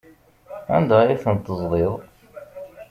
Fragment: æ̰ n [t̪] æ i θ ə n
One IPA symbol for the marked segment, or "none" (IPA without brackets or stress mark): d̪